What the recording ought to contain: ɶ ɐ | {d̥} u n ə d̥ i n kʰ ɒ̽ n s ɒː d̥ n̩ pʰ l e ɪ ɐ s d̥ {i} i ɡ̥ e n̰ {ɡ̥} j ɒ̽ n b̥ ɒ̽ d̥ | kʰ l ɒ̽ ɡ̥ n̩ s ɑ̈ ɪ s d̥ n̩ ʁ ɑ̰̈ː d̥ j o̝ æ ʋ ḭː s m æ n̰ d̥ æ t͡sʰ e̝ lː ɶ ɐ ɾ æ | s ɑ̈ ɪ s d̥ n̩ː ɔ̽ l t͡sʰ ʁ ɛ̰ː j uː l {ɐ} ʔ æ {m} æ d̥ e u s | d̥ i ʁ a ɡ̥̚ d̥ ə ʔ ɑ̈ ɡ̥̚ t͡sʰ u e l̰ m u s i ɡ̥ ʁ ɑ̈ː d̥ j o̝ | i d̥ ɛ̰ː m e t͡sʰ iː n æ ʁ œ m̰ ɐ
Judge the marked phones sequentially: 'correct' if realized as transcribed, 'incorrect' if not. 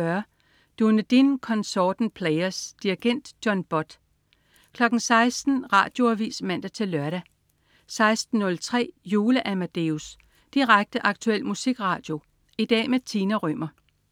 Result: correct, correct, incorrect, incorrect, correct

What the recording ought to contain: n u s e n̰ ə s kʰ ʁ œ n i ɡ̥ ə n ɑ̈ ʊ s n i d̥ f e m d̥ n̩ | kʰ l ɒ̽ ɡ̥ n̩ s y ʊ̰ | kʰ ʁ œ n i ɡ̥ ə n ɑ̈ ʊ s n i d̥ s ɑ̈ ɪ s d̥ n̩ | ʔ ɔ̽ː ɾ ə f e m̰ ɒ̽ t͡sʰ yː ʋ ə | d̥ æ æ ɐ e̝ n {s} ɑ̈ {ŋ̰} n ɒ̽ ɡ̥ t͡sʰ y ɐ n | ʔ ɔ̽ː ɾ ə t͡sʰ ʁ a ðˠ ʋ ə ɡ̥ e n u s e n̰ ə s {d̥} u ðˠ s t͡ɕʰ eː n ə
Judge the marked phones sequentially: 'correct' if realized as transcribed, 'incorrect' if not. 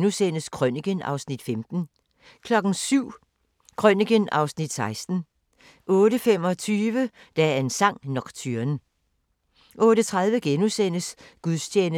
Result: correct, correct, incorrect

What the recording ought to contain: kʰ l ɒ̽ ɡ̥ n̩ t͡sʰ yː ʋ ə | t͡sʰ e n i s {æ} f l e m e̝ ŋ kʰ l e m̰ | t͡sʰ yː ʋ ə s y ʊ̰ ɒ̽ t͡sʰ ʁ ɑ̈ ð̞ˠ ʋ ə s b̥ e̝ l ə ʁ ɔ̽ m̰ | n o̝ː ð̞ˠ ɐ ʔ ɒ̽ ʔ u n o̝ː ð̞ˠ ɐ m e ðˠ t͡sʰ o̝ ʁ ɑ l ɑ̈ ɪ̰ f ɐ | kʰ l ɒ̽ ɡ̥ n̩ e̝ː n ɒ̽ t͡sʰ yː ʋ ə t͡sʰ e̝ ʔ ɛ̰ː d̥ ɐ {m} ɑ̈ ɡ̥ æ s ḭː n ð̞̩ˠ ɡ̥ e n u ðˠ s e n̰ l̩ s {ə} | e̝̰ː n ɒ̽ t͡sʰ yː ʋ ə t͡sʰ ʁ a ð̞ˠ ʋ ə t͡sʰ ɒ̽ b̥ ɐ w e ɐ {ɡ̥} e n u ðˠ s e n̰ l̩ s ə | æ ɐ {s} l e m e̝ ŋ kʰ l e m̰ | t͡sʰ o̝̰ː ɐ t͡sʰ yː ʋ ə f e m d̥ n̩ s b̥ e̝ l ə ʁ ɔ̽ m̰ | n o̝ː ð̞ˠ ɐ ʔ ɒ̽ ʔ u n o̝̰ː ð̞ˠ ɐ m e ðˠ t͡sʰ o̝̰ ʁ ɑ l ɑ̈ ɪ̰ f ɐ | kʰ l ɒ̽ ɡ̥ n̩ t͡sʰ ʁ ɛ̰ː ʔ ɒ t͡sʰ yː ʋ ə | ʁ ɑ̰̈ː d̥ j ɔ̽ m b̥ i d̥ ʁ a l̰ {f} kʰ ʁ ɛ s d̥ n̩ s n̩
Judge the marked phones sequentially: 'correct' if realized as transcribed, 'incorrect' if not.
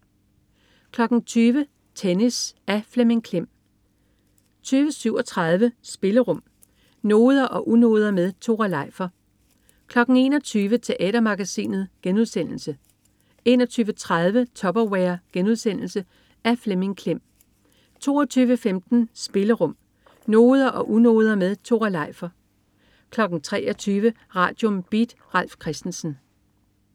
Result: correct, correct, correct, correct, incorrect, correct

